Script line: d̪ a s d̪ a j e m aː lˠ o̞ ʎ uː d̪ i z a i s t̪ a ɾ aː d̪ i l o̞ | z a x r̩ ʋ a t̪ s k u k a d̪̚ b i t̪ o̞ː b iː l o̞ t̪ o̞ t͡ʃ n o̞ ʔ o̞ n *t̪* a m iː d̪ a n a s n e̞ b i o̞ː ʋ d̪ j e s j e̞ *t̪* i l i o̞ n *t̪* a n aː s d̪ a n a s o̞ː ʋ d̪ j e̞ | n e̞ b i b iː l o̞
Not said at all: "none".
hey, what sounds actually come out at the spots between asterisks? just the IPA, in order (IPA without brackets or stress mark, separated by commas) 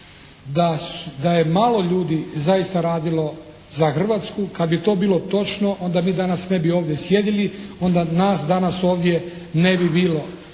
d̪, d̪, d̪